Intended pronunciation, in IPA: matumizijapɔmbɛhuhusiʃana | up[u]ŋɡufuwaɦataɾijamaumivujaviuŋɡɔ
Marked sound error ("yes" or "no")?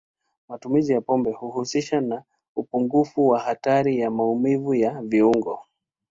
no